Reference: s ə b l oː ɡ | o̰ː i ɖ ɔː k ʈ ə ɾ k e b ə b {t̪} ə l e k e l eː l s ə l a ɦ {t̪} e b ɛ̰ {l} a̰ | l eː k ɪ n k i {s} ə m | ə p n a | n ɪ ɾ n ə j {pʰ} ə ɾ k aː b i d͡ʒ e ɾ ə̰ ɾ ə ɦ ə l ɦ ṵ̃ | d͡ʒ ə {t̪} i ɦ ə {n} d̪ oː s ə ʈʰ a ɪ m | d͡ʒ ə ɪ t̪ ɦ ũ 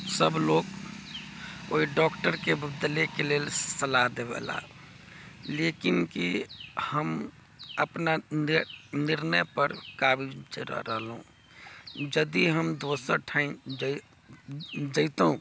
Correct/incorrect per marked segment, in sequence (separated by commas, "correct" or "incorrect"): incorrect, incorrect, correct, incorrect, incorrect, incorrect, incorrect